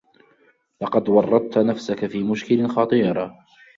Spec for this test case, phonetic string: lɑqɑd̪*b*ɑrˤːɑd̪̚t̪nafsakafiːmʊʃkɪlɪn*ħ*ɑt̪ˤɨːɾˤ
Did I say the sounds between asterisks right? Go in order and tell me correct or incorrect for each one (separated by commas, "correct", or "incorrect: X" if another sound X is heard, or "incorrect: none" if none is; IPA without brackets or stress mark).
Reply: incorrect: w, incorrect: x